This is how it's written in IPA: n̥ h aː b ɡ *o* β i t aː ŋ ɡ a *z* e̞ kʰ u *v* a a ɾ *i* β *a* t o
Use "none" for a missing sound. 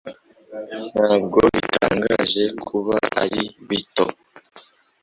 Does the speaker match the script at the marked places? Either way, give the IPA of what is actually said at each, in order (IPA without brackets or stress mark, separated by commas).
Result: o, ʒ, β, i, i